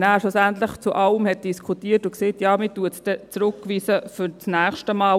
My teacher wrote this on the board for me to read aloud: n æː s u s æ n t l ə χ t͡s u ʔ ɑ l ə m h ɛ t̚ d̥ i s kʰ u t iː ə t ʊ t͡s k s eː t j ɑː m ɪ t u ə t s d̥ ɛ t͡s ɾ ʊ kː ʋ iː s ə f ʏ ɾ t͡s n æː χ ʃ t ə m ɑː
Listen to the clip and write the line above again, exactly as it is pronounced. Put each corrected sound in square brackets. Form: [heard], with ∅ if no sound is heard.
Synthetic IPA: n æː [ʃ] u s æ n t l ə χ t͡s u ʔ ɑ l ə m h ɛ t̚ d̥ i s kʰ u t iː ə t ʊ [∅] k s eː t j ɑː m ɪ t u ə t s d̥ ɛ t͡s ɾ ʊ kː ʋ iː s ə f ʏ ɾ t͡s n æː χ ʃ t ə m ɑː